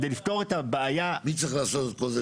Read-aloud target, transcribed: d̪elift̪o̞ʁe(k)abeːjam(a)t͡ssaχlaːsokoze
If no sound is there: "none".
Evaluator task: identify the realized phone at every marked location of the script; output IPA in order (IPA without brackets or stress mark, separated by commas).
t, i